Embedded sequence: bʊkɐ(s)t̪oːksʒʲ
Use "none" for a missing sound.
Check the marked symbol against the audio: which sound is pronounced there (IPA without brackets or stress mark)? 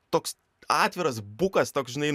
s